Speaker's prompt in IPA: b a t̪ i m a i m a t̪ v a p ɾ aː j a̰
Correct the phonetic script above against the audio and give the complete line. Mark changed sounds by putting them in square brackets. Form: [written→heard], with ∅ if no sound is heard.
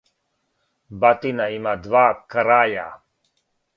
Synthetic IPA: b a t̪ i [m→n] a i m a [t̪→d̪] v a [p→k] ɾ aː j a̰